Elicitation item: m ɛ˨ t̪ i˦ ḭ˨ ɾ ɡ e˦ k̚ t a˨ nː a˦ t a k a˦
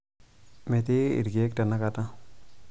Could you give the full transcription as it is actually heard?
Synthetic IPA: m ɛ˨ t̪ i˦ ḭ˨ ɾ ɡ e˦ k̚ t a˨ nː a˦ k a t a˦